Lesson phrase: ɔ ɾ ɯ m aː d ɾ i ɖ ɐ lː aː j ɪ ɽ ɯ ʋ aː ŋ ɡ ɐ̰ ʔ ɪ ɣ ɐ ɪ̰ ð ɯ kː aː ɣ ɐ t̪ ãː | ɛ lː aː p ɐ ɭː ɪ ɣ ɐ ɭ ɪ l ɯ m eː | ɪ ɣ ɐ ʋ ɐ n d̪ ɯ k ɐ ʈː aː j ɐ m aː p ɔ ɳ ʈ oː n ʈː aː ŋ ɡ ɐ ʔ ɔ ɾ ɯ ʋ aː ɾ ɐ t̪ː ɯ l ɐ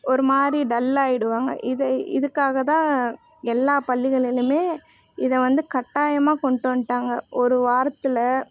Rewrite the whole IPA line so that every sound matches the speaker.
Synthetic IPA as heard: ɔ ɾ ɯ m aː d ɾ i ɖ ɐ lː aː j ɪ ɽ ɯ ʋ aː ŋ ɡ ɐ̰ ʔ ɪ ð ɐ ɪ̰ ð ɯ kː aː ɣ ɐ t̪ ãː | ɛ lː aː p ɐ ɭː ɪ ɣ ɐ ɭ ɪ l ɯ m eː | ɪ ð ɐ ʋ ɐ n d̪ ɯ k ɐ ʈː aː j ɐ m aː k ɔ ɳ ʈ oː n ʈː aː ŋ ɡ ɐ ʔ ɔ ɾ ɯ ʋ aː ɾ ɐ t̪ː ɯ l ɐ